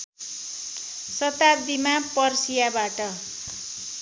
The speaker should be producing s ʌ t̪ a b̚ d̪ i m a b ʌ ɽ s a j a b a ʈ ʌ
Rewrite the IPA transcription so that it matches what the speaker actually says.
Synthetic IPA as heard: s ʌ t̪ a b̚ d̪ i m a p ʌ r s i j a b a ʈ ʌ